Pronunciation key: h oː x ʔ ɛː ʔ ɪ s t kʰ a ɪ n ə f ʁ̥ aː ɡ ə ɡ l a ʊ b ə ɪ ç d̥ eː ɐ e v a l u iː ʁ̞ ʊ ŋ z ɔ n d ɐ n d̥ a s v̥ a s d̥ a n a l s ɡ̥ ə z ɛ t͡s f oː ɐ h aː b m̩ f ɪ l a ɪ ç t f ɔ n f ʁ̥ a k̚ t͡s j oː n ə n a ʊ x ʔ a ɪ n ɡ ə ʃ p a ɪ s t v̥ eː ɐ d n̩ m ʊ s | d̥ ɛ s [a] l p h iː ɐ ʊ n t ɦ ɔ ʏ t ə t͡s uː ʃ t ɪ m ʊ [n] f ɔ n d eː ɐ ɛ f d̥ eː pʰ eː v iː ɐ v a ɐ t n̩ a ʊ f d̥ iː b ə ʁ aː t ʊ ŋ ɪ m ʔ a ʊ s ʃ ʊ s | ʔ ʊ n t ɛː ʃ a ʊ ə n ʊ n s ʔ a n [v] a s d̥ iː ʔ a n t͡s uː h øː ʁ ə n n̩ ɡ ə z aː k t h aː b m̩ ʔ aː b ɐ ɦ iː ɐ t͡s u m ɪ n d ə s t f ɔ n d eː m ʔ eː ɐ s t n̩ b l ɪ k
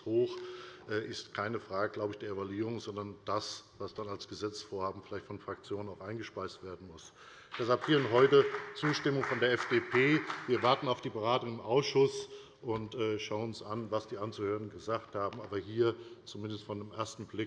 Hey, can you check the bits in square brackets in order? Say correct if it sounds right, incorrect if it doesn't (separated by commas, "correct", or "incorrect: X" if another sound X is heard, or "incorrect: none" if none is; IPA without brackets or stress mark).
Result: correct, incorrect: ŋ, correct